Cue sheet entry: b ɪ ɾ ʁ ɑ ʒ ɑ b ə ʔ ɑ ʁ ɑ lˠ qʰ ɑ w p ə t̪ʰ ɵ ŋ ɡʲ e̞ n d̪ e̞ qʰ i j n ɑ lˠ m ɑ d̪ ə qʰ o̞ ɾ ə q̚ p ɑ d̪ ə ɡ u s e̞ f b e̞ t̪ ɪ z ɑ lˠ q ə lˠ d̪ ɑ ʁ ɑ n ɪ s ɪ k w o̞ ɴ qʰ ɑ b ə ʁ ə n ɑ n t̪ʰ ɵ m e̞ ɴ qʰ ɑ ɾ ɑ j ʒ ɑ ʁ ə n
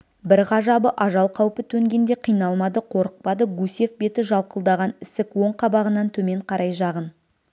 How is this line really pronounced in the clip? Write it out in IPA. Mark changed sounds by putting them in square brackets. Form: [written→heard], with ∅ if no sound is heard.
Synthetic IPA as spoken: b ɪ ɾ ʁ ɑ ʒ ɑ b ə ʔ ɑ [ʁ→ʒ] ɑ lˠ qʰ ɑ w p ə t̪ʰ ɵ ŋ ɡʲ e̞ n d̪ e̞ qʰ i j n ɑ lˠ m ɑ d̪ ə qʰ o̞ ɾ ə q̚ p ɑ d̪ ə ɡ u s e̞ f b e̞ t̪ ɪ [z→ʒ] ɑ lˠ q ə lˠ d̪ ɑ ʁ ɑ n ɪ s ɪ k w o̞ ɴ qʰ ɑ b [ə→ɑ] ʁ ə n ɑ n t̪ʰ ɵ m e̞ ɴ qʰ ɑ ɾ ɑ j ʒ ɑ ʁ ə n